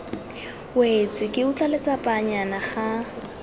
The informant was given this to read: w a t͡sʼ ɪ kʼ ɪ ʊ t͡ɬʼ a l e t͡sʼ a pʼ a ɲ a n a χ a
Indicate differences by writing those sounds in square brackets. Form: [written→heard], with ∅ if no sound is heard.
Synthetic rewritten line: w [a→e] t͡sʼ ɪ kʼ ɪ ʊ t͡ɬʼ a l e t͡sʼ a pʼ a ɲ a n a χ a